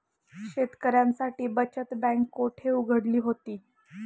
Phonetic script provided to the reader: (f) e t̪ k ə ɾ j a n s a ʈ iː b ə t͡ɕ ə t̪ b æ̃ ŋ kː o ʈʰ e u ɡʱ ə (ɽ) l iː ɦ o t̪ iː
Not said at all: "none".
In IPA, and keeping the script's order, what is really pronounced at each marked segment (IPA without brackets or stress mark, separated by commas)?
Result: ɕ, ɽ